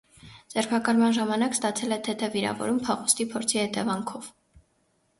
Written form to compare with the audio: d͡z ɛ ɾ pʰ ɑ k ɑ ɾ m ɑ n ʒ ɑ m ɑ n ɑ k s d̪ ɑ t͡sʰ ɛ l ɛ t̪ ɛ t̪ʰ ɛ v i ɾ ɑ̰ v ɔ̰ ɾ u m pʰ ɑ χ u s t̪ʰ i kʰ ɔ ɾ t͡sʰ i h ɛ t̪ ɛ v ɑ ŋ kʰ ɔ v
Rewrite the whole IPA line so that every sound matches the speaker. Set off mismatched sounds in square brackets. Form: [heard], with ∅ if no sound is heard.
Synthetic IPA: d͡z ɛ ɾ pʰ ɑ k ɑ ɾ m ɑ n ʒ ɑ m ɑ n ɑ k s [t̪] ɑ t͡sʰ ɛ l ɛ [t̪ʰ] ɛ t̪ʰ ɛ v i ɾ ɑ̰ v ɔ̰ ɾ u m pʰ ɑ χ u s [t̪] i [pʰ] ɔ ɾ t͡sʰ i h ɛ t̪ ɛ v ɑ ŋ kʰ ɔ v